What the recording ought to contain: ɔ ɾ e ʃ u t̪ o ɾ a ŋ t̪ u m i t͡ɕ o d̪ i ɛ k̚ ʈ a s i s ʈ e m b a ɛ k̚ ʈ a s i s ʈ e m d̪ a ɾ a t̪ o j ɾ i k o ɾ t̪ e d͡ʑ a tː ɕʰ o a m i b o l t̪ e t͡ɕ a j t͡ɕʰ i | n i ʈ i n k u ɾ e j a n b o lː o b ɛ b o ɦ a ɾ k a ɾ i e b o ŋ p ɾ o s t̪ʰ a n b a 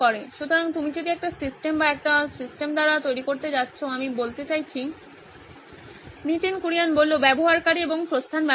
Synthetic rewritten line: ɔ ɾ e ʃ u t̪ o ɾ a ŋ t̪ u m i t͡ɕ o d̪ i ɛ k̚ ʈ a s i s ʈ e m b a ɛ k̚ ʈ a s i s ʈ e m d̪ a ɾ a t̪ o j ɾ i k o ɾ t̪ e d͡ʑ a tː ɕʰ o a m i b o l t̪ e t͡ɕ a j t͡ɕʰ i | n i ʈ i n k u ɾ i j a n b o lː o b ɛ b o ɦ a ɾ k a ɾ i e b o ŋ p ɾ o s t̪ʰ a n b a

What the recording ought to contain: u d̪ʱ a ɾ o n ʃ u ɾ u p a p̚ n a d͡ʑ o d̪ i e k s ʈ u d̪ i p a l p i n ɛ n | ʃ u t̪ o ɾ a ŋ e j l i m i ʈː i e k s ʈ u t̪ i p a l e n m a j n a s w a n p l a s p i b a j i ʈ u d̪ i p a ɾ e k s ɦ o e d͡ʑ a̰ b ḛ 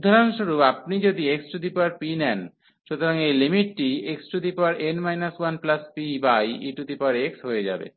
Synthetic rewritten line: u d̪ʱ a ɾ o n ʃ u ɾ u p a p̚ n i d͡ʑ o d̪ i e k s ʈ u d̪ i p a ɾ p i n ɛ n | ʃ u t̪ o ɾ a ŋ e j l i m i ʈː i e k s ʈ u d̪ i p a ɾ e n m a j n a s w a n p l a s p i b a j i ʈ u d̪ i p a ɾ e k s ɦ o e d͡ʑ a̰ b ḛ

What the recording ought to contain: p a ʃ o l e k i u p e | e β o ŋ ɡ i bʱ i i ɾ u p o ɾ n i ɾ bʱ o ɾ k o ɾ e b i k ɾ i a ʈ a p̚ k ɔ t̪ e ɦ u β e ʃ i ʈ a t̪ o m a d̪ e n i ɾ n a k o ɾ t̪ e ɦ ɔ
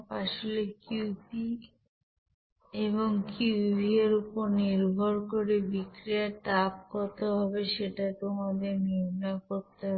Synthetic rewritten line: p a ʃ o l e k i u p i | e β o ŋ k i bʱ i e ɾ u p o ɾ n i ɾ bʱ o ɾ k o ɾ e b i k ɾ i a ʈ a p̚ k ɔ t̪ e ɦ ɔ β e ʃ e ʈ a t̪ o m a d̪ e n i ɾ n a k o ɾ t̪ e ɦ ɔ

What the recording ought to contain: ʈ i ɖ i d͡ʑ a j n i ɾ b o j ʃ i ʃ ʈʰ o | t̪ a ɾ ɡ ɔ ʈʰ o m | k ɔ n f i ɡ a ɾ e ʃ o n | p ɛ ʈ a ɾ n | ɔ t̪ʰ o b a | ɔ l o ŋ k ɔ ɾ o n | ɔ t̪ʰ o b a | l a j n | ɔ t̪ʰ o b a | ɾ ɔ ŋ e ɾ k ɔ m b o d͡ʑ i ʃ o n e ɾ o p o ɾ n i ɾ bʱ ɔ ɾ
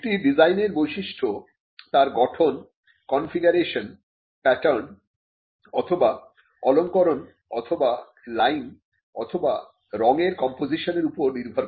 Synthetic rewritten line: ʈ i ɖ i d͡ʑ a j n e ɾ b o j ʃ i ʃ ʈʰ o | t̪ a ɾ ɡ ɔ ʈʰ o n | k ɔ n f i ɡ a ɾ e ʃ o n | p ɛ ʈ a ɾ n | ɔ t̪ʰ o b a | ɔ l o ŋ k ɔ ɾ o n | ɔ t̪ʰ o b a | l a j n | ɔ t̪ʰ o b a | ɾ ɔ ŋ e ɾ k ɔ m p o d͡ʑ i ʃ o n e ɾ u p o ɾ n i ɾ bʱ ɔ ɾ

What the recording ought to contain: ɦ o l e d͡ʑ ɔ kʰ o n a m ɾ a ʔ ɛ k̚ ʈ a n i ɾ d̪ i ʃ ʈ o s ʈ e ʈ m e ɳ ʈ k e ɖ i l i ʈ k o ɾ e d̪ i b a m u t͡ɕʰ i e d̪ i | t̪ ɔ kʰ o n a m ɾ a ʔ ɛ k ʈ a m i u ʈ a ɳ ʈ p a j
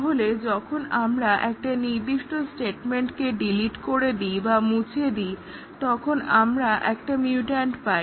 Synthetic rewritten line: ɦ o l e d͡ʑ ɔ kʰ o n a m ɾ a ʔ ɛ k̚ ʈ a n i ɾ d̪ i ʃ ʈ o s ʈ e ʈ m e ɳ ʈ k e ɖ i l i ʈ k o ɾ e d̪ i b a m u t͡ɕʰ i e d̪ i | t̪ ɔ kʰ o n a m ɾ a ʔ ɛ k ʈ a m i u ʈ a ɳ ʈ p a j

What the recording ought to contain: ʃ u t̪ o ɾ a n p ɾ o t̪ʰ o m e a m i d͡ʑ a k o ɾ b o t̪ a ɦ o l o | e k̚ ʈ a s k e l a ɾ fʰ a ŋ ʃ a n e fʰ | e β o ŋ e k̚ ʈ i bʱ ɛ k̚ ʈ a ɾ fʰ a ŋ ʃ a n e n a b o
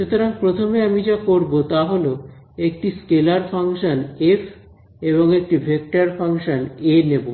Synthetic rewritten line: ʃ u t̪ o ɾ a ŋ p ɾ o t̪ʰ o m e a m i d͡ʑ a k o ɾ b o t̪ a ɦ o l o | e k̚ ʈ i s k e l a ɾ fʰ a ŋ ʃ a n e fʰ | e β o ŋ e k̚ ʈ i bʱ e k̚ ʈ a ɾ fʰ a ŋ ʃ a n e n e b o

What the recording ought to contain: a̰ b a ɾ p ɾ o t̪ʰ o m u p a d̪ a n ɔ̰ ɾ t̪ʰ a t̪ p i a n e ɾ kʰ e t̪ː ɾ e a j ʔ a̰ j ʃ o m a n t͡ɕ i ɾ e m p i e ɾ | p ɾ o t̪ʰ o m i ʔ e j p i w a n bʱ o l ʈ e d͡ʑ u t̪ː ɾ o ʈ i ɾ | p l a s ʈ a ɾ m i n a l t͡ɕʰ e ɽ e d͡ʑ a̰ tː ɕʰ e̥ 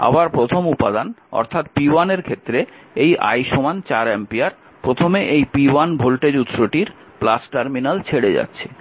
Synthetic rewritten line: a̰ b a ɾ p ɾ o t̪ʰ o m u p a d̪ a n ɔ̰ ɾ t̪ʰ a t̪ p i a n e ɾ kʰ e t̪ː ɾ e e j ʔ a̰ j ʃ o m a n t͡ɕ a ɾ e m p i a ɾ | p ɾ o t̪ʰ o m e ʔ e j p i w a n bʱ o l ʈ e d͡ʑ u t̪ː ɾ o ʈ i ɾ | p l a s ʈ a ɾ m i n a l t͡ɕʰ e ɽ e d͡ʑ a̰ tː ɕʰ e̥

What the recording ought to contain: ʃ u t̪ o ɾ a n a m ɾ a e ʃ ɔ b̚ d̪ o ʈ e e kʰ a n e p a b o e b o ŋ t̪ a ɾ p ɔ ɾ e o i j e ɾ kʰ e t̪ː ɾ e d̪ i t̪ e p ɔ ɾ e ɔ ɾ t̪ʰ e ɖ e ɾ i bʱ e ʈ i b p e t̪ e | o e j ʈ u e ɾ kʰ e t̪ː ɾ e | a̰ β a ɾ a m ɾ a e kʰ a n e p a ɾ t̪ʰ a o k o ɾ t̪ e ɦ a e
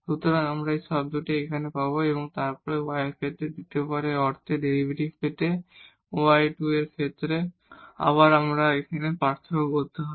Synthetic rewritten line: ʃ u t̪ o ɾ a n a m ɾ a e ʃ ɔ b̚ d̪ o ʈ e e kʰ a n e p a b o e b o ŋ t̪ a ɾ p ɔ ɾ e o a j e ɾ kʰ e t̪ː ɾ e d̪ i t̪ e p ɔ ɾ e ɔ ɾ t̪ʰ e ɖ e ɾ i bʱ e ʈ i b p e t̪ e | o a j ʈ u e ɾ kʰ e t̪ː ɾ e | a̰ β a ɾ a m ɾ a e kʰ a n e p a ɾ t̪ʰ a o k o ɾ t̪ e ɦ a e

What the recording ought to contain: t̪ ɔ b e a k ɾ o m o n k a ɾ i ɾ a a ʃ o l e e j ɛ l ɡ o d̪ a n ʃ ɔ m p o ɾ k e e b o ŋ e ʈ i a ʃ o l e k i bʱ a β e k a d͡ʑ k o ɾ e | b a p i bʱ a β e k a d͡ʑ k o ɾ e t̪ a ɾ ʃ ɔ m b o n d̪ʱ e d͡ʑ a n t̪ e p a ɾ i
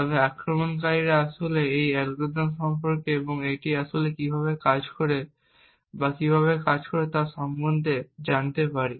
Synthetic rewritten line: t̪ ɔ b e a k ɾ o m o n k a ɾ i ɾ a a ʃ o l e e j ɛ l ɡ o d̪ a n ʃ ɔ m p o ɾ k e e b o ŋ e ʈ i a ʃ o l e k i bʱ a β e k a d͡ʑ k o ɾ e | b a k i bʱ a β e k a d͡ʑ k o ɾ e t̪ a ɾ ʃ ɔ m b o n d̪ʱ e d͡ʑ a n t̪ e p a ɾ i

